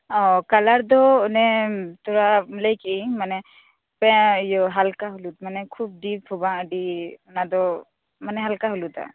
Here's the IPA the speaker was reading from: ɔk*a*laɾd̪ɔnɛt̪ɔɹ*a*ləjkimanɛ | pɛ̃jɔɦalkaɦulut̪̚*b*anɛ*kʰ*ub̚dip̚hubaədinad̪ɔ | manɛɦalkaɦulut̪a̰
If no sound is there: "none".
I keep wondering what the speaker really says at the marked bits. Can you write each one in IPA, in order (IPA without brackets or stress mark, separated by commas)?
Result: a, a, m, kʰ